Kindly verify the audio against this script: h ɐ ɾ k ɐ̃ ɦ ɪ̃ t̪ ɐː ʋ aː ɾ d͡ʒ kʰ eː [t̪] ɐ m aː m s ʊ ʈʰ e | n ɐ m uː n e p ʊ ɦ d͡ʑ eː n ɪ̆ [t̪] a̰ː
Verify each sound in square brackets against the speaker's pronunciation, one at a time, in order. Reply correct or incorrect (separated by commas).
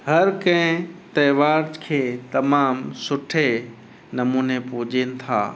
correct, incorrect